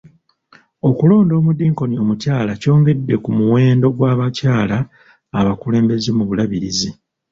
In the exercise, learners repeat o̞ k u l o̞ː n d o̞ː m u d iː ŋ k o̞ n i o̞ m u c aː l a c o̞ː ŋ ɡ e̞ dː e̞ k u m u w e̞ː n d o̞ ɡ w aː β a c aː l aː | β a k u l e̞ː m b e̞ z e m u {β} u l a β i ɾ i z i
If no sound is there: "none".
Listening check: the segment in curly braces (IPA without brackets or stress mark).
β